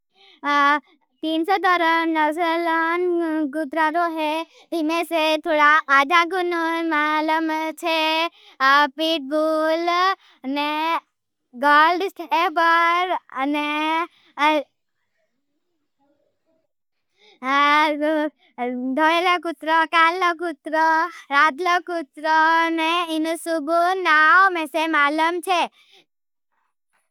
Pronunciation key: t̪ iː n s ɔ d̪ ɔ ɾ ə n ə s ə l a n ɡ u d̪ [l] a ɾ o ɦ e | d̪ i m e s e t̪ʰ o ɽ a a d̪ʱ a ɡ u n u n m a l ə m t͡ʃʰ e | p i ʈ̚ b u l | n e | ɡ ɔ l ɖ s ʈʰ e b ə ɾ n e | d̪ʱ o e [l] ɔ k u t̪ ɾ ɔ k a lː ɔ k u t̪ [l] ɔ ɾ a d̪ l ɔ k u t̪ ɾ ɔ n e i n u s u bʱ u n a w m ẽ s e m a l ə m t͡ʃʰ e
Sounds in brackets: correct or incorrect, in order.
incorrect: ɾ, correct, incorrect: ɾ

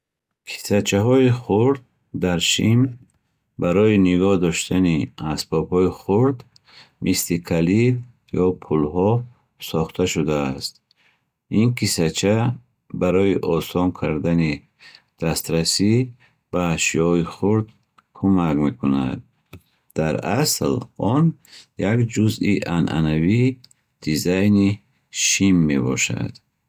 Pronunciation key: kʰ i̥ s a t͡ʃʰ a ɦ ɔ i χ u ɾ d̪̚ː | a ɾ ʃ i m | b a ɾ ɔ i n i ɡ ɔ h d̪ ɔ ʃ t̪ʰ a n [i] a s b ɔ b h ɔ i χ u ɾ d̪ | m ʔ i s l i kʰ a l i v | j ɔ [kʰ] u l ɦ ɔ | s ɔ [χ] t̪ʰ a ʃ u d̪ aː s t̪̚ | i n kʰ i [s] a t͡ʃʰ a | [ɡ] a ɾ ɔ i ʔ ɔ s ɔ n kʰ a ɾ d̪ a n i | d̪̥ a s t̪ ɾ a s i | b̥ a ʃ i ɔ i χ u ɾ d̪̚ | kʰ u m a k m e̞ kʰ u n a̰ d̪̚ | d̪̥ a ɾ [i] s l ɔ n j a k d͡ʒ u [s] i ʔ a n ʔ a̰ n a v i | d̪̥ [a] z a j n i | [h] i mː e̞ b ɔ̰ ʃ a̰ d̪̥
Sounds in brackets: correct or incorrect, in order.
correct, incorrect: pʰ, correct, correct, incorrect: b, incorrect: a, incorrect: z, incorrect: i, incorrect: ʃ

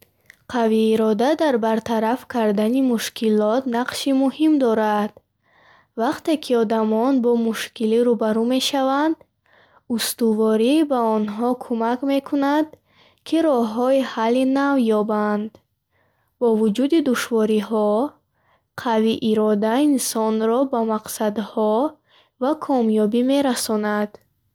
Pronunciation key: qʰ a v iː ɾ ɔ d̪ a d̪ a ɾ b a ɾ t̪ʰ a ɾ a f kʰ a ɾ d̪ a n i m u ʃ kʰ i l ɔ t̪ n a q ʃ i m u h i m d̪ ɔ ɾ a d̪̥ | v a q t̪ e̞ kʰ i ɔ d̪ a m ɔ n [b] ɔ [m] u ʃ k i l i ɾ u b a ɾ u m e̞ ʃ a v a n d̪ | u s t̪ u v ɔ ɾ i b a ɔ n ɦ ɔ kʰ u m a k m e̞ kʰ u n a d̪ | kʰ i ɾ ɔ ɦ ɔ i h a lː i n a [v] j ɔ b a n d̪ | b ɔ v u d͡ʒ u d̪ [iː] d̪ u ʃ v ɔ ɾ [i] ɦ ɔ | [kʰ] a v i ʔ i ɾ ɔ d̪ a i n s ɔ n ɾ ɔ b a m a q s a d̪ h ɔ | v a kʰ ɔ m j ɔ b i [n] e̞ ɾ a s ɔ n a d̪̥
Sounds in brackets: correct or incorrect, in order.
correct, correct, correct, incorrect: i, correct, incorrect: qʰ, incorrect: m

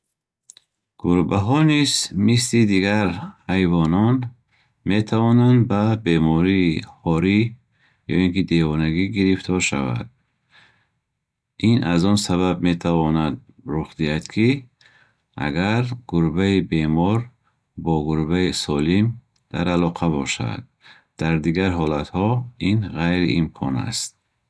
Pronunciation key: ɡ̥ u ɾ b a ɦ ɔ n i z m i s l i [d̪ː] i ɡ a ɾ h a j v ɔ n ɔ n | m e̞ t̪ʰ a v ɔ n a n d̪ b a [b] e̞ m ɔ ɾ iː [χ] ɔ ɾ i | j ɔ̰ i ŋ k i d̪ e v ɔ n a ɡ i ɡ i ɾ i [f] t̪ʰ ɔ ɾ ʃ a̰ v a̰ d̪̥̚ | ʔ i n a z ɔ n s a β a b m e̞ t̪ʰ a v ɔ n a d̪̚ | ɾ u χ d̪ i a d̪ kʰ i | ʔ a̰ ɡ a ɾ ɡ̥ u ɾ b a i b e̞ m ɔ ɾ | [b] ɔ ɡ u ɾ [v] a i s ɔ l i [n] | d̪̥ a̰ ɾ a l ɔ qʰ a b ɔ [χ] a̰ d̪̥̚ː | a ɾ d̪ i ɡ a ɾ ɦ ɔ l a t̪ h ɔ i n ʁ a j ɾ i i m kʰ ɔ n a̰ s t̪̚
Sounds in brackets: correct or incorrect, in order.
incorrect: d̪, correct, incorrect: h, correct, correct, incorrect: b, incorrect: m, incorrect: ʃ

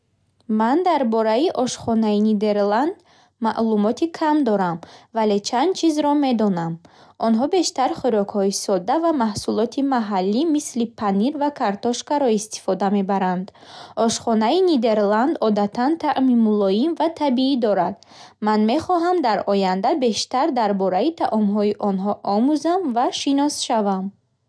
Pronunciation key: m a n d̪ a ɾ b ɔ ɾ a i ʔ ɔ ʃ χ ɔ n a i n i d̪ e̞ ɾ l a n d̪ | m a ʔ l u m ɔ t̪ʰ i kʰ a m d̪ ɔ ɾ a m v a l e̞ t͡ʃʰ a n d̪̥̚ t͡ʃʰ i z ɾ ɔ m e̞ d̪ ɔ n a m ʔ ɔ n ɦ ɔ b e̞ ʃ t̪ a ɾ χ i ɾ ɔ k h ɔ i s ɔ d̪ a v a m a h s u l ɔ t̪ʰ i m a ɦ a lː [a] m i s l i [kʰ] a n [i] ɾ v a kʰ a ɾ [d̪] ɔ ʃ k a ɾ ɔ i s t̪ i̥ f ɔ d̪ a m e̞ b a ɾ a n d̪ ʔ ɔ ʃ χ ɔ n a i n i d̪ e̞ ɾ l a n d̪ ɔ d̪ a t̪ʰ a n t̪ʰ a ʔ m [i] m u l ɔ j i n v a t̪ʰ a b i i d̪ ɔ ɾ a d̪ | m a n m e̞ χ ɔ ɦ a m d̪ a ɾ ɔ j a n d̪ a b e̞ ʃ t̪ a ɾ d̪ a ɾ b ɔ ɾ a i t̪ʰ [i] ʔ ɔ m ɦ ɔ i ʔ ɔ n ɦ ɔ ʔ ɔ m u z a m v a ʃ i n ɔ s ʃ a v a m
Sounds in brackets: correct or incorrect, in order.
incorrect: i, incorrect: pʰ, correct, incorrect: t̪, correct, incorrect: a

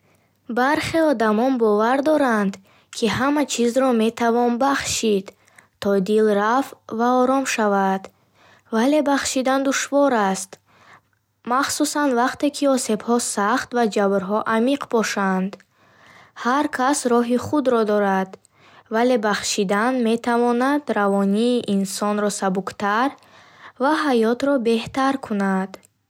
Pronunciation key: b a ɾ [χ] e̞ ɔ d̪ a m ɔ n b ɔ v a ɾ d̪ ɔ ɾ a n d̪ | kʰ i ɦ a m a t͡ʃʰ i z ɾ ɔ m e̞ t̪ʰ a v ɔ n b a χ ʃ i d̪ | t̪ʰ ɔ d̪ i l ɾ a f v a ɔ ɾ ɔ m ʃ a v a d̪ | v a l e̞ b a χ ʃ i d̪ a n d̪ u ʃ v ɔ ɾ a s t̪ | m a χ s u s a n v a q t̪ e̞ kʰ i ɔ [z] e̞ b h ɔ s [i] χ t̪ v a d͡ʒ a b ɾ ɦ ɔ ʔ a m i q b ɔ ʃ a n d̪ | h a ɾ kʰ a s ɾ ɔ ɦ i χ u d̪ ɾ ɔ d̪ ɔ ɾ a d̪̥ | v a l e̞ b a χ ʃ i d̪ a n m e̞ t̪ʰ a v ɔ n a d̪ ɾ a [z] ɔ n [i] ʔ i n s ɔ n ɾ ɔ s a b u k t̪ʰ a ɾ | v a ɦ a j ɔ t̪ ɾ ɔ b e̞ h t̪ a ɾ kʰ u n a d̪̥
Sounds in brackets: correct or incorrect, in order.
correct, incorrect: s, incorrect: a, incorrect: v, incorrect: iː

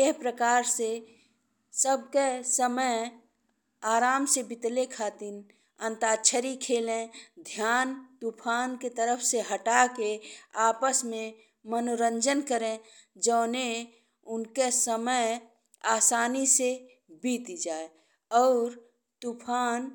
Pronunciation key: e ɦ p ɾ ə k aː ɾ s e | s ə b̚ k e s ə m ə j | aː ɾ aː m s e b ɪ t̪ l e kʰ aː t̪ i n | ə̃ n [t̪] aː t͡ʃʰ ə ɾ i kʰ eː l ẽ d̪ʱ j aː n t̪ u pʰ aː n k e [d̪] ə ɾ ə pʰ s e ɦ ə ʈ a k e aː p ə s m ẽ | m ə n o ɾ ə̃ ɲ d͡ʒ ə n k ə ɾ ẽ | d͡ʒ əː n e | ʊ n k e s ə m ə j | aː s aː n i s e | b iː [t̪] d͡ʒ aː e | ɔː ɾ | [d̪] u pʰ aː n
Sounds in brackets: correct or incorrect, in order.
correct, incorrect: t̪, correct, incorrect: t̪

